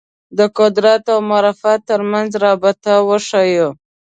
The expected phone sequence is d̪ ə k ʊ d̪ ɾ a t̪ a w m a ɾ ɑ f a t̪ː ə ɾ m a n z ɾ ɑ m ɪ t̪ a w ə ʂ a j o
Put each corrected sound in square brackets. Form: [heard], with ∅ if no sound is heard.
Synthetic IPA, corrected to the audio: d̪ ə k ʊ d̪ ɾ a t̪ a w m a ɾ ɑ f a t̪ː ə ɾ m a n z ɾ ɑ [b] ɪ t̪ a w ə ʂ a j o